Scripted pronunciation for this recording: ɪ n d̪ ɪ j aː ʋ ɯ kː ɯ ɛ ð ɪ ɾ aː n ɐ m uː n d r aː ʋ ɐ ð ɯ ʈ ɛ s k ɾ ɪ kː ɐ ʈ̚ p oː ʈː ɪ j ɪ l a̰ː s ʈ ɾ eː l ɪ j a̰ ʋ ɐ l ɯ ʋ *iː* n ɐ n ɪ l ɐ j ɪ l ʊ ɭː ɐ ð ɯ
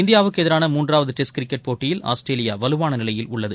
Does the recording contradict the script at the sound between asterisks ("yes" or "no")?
yes